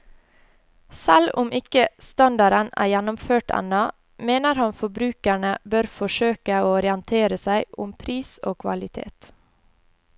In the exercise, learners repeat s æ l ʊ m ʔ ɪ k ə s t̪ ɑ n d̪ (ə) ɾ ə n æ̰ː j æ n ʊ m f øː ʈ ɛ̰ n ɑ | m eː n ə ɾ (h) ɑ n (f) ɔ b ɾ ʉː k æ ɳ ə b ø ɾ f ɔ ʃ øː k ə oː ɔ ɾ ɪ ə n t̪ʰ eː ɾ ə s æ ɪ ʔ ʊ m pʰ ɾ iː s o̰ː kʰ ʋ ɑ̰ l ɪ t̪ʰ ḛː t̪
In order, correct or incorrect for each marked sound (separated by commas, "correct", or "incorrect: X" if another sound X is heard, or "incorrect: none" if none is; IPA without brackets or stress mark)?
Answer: incorrect: ɑ, correct, correct